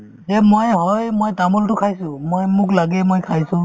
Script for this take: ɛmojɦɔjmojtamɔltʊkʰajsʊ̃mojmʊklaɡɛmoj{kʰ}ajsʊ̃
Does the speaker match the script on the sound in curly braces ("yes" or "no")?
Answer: yes